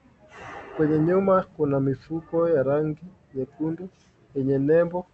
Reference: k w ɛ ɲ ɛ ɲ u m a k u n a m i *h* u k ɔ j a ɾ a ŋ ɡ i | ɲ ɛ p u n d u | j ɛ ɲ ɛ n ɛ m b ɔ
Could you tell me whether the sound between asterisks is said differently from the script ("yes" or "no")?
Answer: yes